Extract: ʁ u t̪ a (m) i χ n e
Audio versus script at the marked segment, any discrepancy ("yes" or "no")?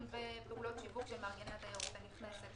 yes